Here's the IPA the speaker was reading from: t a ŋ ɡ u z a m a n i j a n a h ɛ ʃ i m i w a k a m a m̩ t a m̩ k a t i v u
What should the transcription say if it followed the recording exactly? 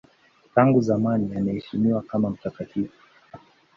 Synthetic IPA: t a ŋ ɡ u z a m a n i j a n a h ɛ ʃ i m i w a k a m a m̩ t a k a t i v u